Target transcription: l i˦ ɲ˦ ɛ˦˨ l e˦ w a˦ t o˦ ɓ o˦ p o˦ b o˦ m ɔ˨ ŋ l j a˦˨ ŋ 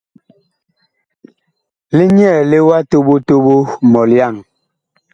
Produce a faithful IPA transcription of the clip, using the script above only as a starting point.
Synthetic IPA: l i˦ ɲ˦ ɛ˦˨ l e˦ w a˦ t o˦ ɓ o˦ t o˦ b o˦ m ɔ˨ l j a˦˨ ŋ